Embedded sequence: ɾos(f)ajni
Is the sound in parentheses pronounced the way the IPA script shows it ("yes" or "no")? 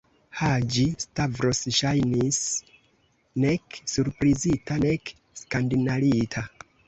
no